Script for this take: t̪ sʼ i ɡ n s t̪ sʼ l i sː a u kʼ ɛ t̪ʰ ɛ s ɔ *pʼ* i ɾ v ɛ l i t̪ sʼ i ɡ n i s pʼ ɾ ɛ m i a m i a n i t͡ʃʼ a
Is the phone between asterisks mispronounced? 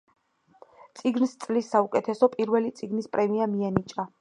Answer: no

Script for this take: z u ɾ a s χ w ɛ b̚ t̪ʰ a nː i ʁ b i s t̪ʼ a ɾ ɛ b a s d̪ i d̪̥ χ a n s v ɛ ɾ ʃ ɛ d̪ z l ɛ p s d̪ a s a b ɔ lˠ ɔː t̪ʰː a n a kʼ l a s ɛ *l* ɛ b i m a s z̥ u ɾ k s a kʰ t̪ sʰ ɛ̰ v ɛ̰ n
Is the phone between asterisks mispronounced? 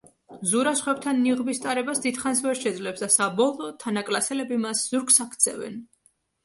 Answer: no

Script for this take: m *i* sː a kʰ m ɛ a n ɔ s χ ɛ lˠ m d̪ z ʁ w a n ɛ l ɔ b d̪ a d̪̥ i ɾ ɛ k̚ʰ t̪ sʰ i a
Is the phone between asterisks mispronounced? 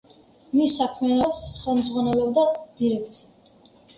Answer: no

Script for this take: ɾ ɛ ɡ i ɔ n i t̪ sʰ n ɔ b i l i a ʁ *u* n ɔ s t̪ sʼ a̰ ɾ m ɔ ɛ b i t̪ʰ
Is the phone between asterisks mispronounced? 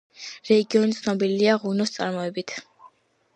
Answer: no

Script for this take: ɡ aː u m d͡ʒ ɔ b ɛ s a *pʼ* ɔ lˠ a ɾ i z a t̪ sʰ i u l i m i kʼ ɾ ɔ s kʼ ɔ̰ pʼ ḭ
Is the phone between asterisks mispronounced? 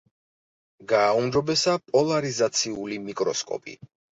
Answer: no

